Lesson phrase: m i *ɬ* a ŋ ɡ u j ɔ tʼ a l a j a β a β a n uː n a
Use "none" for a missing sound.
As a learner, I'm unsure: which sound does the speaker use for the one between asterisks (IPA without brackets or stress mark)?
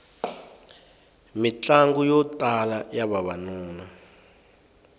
t͡ɬ